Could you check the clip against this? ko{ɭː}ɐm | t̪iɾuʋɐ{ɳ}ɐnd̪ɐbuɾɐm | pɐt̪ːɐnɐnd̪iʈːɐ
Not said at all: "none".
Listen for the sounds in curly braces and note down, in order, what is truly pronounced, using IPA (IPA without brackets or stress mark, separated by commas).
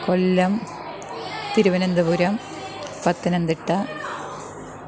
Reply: lː, n